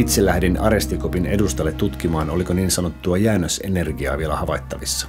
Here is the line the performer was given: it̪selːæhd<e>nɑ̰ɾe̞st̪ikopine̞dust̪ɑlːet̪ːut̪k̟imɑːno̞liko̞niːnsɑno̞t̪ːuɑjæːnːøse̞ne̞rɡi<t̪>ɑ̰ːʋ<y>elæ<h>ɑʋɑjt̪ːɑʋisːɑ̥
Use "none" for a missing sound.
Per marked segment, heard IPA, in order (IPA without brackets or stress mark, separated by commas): i, none, i, h